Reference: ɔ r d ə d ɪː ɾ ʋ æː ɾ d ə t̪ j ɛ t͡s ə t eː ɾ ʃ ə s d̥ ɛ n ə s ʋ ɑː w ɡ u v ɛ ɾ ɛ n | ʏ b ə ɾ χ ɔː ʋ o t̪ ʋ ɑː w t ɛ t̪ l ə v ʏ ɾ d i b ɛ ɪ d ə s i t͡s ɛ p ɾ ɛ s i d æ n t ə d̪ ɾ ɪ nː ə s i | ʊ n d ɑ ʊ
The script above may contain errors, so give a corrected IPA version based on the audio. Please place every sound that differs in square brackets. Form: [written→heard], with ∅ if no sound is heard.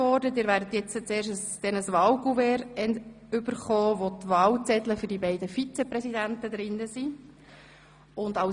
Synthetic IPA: ɔ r d ə d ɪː ɾ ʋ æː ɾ d ə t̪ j ɛ t͡s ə [t→t͡s] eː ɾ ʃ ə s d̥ ɛ n ə s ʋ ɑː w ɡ u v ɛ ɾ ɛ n | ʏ b ə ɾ χ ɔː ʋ o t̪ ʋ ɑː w [t→t͡s] ɛ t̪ l ə [v→f] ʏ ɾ d i b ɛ ɪ d ə [s→f] i t͡s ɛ p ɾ ɛ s i d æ n t ə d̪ ɾ ɪ nː ə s i | ʊ n d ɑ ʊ